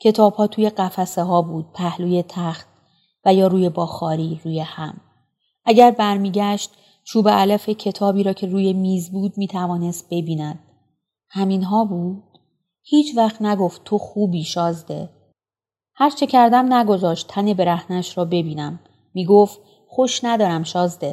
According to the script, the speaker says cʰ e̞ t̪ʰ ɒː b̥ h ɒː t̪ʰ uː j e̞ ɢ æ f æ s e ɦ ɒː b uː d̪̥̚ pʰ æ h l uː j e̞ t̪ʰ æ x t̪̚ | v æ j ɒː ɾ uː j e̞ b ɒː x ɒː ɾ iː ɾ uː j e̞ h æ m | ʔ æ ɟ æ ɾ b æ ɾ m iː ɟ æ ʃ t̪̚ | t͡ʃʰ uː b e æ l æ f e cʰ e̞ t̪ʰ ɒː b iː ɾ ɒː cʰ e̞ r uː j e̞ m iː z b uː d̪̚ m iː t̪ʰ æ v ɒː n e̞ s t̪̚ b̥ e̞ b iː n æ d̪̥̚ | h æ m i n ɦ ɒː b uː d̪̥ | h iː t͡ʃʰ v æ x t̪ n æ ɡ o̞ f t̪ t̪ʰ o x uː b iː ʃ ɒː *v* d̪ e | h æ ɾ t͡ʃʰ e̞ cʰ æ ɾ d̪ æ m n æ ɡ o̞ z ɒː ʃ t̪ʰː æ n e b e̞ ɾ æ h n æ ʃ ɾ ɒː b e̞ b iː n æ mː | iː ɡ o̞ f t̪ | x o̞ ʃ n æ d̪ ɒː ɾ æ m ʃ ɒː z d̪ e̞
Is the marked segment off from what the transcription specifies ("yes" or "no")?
yes